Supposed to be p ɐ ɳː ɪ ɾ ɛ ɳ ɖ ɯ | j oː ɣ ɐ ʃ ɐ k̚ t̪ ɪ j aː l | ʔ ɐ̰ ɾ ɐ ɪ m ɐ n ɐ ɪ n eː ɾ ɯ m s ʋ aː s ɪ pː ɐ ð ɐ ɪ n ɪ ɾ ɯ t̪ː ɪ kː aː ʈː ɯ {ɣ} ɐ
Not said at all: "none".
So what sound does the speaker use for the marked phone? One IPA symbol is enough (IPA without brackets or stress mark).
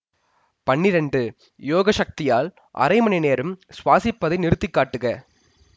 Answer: ɣ